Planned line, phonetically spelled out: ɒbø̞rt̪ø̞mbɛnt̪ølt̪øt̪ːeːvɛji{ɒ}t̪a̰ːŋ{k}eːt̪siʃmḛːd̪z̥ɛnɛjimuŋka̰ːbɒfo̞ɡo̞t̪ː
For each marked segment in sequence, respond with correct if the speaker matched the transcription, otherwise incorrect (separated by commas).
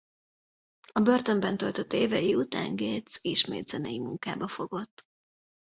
incorrect, incorrect